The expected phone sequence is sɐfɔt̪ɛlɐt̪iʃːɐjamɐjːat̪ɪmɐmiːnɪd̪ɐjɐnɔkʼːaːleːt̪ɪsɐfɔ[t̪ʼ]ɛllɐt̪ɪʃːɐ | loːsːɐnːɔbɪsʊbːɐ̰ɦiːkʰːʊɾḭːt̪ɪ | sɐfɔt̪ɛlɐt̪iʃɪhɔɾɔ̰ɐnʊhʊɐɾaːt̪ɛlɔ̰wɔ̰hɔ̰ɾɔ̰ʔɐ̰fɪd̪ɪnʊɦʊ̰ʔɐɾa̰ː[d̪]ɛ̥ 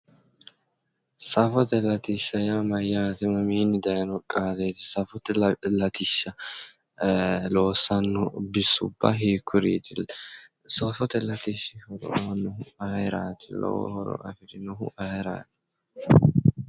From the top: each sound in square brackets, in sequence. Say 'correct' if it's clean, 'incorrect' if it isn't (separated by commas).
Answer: incorrect, incorrect